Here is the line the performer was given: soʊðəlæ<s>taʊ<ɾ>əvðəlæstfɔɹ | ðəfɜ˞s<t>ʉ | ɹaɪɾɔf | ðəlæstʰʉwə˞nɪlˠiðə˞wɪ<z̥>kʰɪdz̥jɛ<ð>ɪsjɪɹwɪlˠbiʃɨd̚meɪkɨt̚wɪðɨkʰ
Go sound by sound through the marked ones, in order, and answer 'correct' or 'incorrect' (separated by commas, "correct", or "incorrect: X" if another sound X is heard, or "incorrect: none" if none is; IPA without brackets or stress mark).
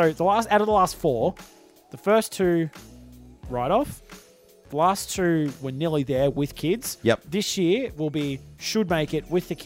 correct, correct, incorrect: tʰ, incorrect: ð̥, correct